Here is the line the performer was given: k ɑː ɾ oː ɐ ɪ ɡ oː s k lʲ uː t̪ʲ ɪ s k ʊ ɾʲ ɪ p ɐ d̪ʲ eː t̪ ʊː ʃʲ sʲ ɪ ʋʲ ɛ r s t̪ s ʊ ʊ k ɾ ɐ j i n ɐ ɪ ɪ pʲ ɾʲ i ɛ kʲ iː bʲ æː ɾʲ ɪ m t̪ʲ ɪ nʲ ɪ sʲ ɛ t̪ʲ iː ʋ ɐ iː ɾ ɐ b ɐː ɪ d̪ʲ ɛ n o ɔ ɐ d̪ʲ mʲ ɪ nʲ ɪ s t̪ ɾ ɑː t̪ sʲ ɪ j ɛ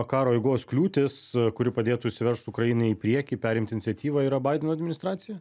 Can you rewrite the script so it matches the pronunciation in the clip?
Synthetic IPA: k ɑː ɾ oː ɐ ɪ ɡ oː s k lʲ uː t̪ʲ ɪ s k ʊ ɾʲ ɪ p ɐ d̪ʲ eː t̪ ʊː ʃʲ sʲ ɪ ʋʲ ɛ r ʃ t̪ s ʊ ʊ k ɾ ɐ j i n ɐ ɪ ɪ pʲ ɾʲ i ɛ kʲ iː pʲ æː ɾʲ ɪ m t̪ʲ ɪ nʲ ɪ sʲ ɛ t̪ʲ iː ʋ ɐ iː ɾ ɐ b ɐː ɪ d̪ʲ ɛ n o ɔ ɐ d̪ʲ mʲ ɪ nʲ ɪ s t̪ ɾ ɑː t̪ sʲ ɪ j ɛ